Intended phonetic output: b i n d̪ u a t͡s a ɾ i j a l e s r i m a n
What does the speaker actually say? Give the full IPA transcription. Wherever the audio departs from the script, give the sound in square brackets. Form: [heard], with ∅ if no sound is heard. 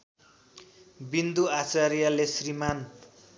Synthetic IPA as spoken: b i n d̪ u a t͡s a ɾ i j a l e s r i m a n